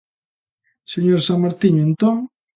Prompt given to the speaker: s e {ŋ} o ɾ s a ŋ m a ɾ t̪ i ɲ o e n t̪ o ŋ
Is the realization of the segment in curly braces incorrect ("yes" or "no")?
yes